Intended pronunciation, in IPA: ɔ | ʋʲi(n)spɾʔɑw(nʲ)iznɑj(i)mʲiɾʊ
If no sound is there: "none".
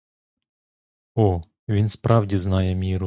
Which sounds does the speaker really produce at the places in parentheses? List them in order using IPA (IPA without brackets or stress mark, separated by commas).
n, dʲ, ɛ